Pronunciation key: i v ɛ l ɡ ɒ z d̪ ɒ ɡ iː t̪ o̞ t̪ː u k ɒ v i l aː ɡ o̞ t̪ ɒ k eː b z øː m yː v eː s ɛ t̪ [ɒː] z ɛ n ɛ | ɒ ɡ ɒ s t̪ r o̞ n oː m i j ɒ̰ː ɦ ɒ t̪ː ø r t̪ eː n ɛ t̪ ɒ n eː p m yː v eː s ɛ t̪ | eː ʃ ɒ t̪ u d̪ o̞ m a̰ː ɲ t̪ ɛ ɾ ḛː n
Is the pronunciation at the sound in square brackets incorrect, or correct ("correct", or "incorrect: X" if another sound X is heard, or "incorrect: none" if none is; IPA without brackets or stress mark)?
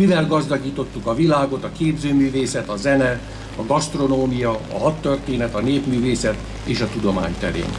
incorrect: ɒ